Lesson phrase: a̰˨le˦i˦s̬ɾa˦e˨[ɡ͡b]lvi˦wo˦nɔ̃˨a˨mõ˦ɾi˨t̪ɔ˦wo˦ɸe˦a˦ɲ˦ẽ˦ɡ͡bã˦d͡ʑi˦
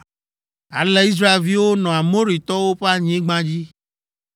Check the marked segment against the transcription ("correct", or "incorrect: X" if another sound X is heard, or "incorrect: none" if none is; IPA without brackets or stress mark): incorrect: none